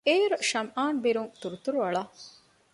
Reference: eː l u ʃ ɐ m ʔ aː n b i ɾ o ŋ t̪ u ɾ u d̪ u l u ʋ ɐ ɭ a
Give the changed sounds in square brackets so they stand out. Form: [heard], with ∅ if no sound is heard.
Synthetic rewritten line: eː [ɾ] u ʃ ɐ m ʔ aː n b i ɾ [u] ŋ t̪ u ɾ u [t̪] u [ɾ] u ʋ ɐ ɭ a

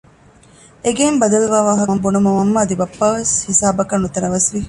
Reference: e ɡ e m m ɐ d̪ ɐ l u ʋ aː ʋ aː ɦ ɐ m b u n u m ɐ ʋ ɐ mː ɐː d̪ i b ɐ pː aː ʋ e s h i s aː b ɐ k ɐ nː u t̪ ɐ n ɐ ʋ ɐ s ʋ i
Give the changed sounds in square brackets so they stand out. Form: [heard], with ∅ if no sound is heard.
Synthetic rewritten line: e ɡ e m [b] ɐ d̪ ɐ l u ʋ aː ʋ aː ɦ ɐ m b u n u m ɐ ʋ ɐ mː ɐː d̪ i b ɐ pː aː ʋ e s h i s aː b ɐ k ɐ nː u t̪ ɐ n ɐ ʋ ɐ s ʋ i

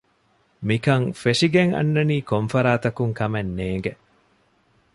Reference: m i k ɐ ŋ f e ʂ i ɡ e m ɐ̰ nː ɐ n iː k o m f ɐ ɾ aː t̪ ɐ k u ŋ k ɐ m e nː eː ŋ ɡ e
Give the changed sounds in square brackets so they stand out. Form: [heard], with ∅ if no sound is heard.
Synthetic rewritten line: m i k ɐ ŋ f e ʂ i ɡ e [ŋ] ɐ̰ nː ɐ n iː k o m f ɐ ɾ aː t̪ ɐ k u ŋ k ɐ m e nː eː ŋ ɡ e

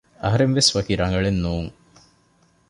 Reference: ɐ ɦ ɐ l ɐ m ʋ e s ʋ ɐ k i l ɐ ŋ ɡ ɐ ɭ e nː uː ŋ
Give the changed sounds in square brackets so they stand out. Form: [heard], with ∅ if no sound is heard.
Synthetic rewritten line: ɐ ɦ ɐ [ɾ] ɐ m ʋ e s ʋ ɐ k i [ɾ] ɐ ŋ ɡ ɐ ɭ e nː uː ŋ

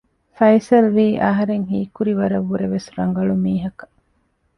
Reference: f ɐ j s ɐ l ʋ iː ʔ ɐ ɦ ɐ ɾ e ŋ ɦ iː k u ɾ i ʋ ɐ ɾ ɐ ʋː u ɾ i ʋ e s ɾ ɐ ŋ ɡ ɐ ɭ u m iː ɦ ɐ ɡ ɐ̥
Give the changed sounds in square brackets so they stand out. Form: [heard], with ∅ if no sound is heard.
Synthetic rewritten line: f ɐ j s ɐ l ʋ iː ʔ ɐ ɦ ɐ ɾ e ŋ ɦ iː k u ɾ i ʋ ɐ ɾ ɐ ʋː u ɾ [e] ʋ e s ɾ ɐ ŋ ɡ ɐ ɭ u m iː ɦ ɐ [k] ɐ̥

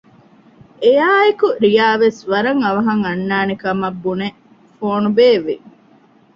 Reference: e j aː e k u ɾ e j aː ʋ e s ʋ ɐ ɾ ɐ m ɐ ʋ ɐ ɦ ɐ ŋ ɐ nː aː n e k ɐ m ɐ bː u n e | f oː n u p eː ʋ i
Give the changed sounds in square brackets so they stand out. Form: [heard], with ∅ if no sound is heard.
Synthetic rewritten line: e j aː e k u ɾ [i] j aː ʋ e s ʋ ɐ ɾ ɐ [ŋ] ɐ ʋ ɐ ɦ ɐ ŋ ɐ nː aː n e k ɐ m ɐ bː u n e | f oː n u [b] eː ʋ i

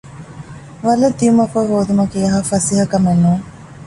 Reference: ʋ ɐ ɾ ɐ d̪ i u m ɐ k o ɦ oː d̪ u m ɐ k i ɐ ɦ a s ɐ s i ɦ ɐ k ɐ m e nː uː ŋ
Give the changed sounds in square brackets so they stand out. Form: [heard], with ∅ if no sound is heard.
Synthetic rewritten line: ʋ ɐ [l] ɐ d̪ i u m ɐ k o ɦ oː d̪ u m ɐ k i ɐ ɦ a [f] ɐ s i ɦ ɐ k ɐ m e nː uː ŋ

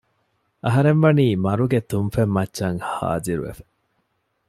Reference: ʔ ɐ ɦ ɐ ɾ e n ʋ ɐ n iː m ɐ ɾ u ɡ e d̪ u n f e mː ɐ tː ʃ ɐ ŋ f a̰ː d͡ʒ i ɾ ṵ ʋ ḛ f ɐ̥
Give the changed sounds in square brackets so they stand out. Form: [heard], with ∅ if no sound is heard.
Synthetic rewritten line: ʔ ɐ ɦ ɐ ɾ e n ʋ ɐ n iː m ɐ ɾ u ɡ e [t̪] u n f e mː ɐ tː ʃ ɐ ŋ [h] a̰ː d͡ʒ i ɾ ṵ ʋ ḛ f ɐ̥

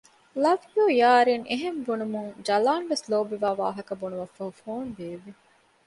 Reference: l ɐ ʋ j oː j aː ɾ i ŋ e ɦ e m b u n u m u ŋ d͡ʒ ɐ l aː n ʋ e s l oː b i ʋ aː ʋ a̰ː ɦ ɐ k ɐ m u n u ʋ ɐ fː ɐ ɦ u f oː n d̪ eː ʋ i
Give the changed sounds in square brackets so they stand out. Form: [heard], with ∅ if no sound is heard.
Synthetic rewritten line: l ɐ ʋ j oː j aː ɾ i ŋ e ɦ e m b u n u m u ŋ d͡ʒ ɐ l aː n ʋ e s l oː b i ʋ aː ʋ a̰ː ɦ ɐ k ɐ [b] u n u ʋ ɐ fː ɐ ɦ u f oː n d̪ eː ʋ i

